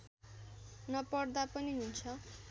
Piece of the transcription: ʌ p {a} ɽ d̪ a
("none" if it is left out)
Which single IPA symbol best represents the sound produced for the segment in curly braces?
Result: ʌ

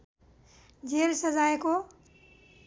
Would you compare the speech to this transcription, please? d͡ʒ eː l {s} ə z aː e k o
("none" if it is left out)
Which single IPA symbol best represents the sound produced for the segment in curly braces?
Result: s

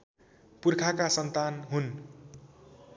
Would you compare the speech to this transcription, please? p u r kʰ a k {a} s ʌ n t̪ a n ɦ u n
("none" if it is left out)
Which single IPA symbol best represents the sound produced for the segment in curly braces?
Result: a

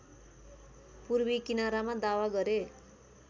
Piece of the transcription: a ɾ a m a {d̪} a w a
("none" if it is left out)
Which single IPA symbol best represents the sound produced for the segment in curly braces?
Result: d̪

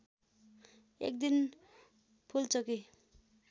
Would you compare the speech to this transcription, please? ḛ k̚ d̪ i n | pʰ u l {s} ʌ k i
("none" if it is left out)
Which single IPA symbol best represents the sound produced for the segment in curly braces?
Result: t͡s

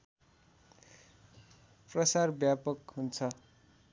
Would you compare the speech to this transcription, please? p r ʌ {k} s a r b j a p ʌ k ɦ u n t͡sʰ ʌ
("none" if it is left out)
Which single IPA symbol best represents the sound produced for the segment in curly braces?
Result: none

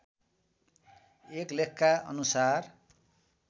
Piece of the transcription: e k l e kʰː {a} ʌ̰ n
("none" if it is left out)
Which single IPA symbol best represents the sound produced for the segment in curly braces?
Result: a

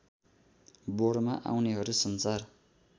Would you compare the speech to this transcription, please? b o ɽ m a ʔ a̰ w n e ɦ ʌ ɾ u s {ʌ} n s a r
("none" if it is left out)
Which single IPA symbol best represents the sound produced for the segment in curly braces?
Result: ʌ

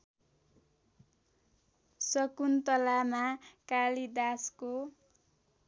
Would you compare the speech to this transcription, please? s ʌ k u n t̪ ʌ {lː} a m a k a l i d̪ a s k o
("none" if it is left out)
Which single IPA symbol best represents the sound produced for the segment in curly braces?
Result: l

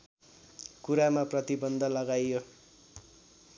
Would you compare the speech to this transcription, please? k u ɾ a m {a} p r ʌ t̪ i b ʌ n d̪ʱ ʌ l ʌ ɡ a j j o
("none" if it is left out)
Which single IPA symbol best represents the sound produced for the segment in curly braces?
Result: a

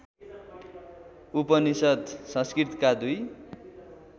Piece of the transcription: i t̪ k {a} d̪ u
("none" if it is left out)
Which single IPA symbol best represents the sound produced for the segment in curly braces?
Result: a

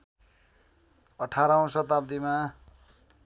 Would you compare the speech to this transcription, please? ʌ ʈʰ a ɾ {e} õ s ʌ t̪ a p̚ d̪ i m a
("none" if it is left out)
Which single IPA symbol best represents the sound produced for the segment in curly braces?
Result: a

